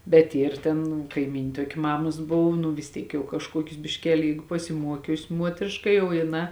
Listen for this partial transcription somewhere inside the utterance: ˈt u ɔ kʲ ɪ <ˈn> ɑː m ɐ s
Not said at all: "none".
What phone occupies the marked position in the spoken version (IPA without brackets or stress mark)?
m